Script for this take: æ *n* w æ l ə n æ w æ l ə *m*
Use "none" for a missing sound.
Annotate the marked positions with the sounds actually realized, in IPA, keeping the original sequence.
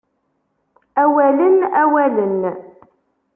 none, n

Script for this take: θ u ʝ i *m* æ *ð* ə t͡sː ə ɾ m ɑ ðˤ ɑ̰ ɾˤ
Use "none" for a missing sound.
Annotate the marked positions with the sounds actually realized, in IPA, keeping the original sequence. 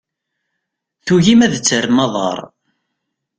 m, ð

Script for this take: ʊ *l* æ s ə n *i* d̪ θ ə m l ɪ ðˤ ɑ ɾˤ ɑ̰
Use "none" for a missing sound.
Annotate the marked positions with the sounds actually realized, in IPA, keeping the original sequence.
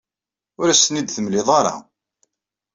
ɾ, i

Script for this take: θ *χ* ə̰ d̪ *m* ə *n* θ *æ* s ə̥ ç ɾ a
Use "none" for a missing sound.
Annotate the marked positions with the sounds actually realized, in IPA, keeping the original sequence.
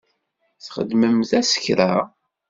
χ, m, m, æ

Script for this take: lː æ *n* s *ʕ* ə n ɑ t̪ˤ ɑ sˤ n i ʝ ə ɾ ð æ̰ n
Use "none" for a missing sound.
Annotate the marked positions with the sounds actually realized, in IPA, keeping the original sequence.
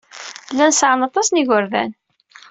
n, ʕ

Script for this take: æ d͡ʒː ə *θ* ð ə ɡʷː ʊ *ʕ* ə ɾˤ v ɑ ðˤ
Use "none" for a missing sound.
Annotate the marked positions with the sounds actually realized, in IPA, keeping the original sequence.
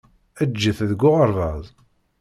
θ, ʁ

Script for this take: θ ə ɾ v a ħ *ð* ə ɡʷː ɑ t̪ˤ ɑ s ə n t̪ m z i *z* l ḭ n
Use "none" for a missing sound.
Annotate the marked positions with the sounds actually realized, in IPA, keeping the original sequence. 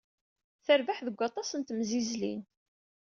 ð, z

